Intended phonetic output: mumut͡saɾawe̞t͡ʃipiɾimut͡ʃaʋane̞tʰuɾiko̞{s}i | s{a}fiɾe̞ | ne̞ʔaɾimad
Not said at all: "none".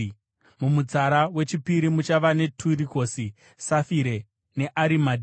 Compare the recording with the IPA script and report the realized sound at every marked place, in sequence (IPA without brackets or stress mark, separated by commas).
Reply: s, a